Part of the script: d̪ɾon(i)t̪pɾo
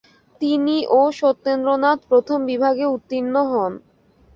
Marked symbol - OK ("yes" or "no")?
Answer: no